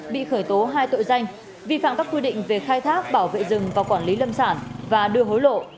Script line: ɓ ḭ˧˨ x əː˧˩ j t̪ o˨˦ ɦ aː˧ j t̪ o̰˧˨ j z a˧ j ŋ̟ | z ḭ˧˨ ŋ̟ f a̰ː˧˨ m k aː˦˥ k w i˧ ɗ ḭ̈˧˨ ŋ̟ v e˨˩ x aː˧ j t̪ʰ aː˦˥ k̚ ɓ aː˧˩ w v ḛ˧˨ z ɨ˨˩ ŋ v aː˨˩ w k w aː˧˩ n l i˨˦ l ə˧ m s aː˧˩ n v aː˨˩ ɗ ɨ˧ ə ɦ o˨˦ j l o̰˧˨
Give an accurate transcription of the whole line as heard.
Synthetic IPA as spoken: ɓ ḭ˧˨ x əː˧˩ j t̪ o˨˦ ɦ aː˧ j t̪ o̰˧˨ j z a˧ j ŋ̟ | v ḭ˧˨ f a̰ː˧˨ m k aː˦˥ k w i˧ ɗ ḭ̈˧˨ ŋ̟ v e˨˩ x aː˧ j t̪ʰ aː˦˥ k̚ ɓ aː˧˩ w v ḛ˧˨ z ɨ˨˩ ŋ v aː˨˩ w k w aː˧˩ n l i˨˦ l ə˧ m s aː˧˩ n v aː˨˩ ɗ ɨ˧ ə ɦ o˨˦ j l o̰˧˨